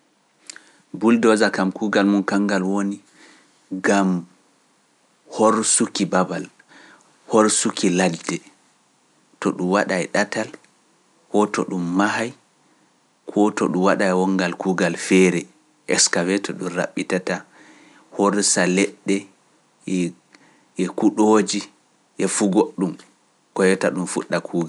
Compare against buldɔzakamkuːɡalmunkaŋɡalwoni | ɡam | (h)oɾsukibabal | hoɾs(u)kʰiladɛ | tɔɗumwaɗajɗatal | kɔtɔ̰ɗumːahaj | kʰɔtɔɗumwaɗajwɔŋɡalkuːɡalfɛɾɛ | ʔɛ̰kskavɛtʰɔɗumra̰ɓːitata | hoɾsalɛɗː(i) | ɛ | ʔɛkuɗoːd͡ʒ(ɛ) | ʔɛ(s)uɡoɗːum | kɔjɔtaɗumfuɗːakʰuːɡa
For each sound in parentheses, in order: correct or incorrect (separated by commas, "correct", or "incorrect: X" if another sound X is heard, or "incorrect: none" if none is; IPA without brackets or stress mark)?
correct, correct, incorrect: ɛ, incorrect: i, incorrect: f